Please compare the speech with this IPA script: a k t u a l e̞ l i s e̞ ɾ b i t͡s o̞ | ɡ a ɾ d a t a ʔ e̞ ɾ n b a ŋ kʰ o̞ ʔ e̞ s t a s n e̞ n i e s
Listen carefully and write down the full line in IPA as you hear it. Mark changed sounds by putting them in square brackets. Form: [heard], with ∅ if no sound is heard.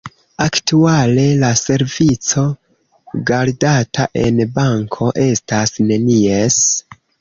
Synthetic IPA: a k t u a l e̞ l [a] s e̞ ɾ [v] i t͡s o̞ | ɡ a ɾ d a t a ʔ e̞ [∅] n b a ŋ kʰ o̞ ʔ e̞ s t a s n e̞ n i e s